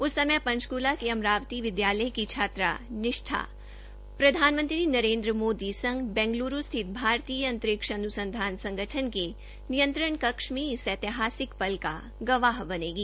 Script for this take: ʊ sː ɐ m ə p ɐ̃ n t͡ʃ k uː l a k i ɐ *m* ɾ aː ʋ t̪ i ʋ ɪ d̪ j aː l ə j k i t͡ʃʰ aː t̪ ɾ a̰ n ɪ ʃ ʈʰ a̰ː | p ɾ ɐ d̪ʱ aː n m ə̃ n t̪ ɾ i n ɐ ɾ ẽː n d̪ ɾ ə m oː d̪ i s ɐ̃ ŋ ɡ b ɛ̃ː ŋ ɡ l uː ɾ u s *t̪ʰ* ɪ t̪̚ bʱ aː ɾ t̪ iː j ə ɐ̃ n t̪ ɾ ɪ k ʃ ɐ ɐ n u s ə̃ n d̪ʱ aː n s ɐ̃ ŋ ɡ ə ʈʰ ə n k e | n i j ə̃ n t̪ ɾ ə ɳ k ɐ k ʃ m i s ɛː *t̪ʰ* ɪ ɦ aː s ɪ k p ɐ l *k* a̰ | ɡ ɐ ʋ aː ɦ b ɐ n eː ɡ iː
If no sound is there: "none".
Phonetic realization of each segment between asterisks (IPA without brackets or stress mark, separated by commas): m, t̪ʰ, t̪, k